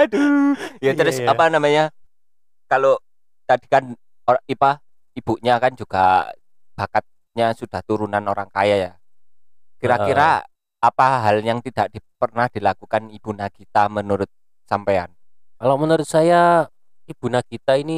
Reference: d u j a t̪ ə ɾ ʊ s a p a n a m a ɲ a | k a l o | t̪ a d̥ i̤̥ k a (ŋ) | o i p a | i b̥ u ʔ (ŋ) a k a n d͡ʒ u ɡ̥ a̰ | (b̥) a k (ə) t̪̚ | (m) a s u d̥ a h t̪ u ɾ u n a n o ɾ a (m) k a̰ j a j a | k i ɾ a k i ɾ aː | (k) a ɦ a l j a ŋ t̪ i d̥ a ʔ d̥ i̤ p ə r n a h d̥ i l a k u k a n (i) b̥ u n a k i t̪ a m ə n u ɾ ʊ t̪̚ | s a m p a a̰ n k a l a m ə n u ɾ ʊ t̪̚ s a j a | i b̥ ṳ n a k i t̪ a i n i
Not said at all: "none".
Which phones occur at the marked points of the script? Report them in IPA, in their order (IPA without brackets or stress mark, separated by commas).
n, ɲ, b̥, a, ɲ, ŋ, p, i